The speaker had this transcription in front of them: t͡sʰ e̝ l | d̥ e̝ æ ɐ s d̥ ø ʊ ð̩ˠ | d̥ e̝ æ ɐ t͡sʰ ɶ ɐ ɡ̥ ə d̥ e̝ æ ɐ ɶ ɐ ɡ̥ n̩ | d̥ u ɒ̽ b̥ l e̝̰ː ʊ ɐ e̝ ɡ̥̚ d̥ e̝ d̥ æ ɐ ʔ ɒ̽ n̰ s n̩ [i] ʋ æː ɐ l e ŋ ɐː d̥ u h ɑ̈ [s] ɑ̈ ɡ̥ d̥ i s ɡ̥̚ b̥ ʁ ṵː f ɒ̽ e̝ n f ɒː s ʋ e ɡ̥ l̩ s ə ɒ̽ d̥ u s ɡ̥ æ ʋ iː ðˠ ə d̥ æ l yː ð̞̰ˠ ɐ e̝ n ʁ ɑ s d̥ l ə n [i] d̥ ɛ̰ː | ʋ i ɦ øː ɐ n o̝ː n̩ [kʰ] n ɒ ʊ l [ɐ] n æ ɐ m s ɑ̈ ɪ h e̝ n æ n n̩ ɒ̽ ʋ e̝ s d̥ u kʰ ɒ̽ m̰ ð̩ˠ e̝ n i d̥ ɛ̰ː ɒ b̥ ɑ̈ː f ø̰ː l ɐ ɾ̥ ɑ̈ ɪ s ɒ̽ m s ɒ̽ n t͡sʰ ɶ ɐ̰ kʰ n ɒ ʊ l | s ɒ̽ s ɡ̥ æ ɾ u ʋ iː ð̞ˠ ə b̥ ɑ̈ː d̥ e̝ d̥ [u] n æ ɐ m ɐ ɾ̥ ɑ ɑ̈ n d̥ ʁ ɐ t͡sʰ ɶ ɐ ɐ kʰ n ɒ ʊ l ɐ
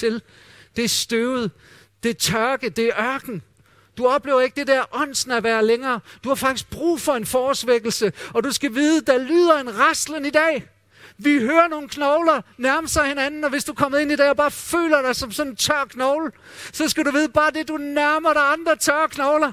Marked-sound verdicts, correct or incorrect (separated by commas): incorrect, incorrect, correct, correct, correct, correct